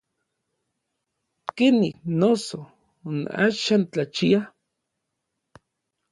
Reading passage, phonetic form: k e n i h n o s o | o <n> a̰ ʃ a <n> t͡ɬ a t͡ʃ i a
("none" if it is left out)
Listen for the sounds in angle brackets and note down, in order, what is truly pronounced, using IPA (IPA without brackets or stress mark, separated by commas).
n, n